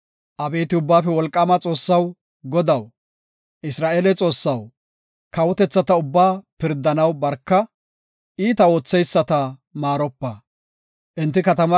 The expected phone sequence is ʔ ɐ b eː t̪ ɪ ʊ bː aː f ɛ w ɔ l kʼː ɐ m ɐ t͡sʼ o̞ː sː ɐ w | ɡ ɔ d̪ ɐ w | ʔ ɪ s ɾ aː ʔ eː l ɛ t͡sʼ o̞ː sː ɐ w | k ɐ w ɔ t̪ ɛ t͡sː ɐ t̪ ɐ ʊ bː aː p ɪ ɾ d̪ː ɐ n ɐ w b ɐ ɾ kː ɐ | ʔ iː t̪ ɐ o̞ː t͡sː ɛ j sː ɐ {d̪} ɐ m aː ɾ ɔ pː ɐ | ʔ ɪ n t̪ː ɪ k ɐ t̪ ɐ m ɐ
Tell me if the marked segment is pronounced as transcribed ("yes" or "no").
no